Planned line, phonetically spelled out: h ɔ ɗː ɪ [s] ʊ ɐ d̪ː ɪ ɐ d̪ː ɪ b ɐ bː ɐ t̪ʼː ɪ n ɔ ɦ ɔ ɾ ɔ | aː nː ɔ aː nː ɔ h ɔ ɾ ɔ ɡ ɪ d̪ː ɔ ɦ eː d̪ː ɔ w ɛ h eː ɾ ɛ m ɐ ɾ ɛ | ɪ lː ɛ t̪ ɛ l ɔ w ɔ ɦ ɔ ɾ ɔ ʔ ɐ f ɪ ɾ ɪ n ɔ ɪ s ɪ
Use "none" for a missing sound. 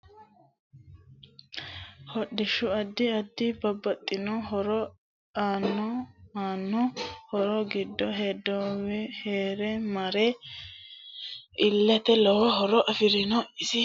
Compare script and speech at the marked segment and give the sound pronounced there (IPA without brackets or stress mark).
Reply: ʃ